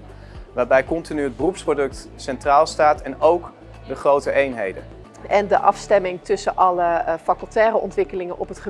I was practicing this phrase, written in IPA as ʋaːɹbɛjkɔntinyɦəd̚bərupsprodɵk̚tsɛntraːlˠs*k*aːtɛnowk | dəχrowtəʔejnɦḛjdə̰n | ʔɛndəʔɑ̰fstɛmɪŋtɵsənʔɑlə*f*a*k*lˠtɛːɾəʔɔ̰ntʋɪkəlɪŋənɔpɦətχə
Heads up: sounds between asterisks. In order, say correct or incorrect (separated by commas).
incorrect, correct, correct